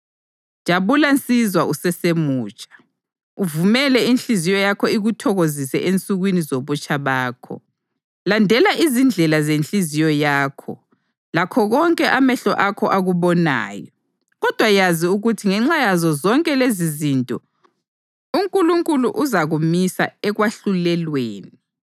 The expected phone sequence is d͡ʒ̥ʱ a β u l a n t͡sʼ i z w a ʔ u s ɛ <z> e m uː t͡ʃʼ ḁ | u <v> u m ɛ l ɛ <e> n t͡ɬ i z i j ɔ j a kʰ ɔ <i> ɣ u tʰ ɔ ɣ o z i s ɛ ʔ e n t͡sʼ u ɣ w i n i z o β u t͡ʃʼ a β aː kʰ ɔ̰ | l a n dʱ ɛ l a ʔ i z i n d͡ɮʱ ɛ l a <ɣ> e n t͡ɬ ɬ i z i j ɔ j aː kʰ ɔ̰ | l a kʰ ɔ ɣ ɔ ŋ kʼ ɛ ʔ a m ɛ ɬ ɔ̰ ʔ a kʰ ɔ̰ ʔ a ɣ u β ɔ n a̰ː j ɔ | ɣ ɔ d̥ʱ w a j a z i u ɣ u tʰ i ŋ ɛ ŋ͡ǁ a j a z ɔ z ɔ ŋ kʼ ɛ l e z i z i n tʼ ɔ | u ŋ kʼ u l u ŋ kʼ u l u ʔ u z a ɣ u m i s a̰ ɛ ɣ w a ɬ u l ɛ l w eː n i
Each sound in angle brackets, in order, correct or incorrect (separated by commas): incorrect, correct, incorrect, correct, incorrect